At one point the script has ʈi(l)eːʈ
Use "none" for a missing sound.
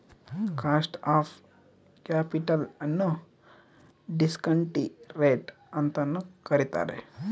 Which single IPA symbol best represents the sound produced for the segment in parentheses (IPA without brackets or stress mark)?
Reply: ɾ